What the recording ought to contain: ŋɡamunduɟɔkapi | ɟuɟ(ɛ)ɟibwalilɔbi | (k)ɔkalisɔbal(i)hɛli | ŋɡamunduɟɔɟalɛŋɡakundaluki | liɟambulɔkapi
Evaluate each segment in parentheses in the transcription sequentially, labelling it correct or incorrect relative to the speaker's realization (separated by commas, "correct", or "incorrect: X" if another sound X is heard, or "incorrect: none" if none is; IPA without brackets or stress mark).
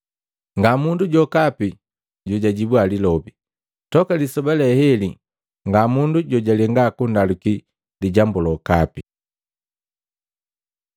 incorrect: a, incorrect: t, incorrect: ɛ